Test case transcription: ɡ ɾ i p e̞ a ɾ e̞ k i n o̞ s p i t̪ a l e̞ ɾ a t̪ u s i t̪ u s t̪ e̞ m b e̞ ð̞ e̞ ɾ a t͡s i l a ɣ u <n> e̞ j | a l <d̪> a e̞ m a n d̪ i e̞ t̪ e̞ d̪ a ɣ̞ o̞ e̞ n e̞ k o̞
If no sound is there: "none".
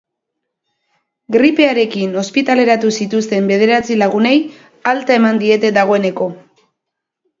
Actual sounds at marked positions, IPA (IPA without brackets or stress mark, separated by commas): n, t̪